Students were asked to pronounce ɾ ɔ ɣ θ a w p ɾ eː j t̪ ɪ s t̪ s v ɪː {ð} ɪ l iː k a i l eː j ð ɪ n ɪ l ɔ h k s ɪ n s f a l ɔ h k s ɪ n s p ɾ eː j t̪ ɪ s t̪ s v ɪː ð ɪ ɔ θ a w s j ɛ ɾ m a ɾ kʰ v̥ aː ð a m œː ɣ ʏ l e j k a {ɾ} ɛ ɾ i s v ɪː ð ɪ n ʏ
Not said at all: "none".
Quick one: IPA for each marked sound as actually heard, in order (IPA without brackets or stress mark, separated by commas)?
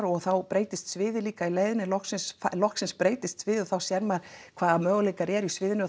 ð, ɾ